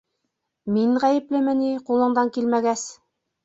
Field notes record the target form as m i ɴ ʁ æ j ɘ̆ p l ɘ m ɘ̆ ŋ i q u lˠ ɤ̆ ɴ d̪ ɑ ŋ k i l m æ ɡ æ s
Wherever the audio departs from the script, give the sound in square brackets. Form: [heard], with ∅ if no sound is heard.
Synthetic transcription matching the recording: m i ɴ ʁ æ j ɘ̆ p l ɘ m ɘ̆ [n] i q u lˠ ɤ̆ ɴ d̪ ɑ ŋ k i l m æ ɡ æ s